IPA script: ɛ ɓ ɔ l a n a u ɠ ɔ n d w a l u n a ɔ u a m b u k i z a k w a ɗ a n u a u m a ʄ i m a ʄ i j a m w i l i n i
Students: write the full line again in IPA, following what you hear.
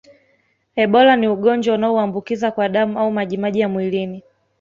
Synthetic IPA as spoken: ɛ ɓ ɔ l a n i u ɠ ɔ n d͡ʒ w a u n a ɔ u a m b u k i z a k w a ɗ a m u a u m a ʄ i m a ʄ i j a m w i l i n i